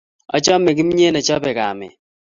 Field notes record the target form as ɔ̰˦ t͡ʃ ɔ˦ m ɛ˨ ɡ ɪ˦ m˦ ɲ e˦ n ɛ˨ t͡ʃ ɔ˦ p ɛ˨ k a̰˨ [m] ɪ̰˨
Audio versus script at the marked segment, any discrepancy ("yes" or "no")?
no